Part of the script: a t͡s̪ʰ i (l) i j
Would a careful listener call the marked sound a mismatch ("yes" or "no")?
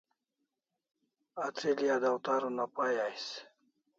no